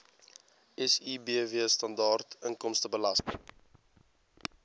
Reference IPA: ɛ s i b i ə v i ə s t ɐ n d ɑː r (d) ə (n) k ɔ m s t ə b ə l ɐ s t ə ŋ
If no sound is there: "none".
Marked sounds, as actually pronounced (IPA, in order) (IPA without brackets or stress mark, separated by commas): t, ŋ